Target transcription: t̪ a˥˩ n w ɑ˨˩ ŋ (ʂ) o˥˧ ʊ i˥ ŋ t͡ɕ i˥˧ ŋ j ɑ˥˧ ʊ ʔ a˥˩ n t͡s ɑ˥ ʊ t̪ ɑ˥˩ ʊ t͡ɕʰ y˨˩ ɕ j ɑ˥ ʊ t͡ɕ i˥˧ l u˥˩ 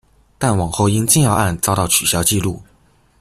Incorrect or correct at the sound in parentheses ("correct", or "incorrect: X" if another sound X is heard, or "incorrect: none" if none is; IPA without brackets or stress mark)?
incorrect: x